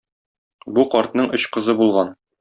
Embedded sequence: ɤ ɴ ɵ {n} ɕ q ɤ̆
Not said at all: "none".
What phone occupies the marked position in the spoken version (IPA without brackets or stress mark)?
none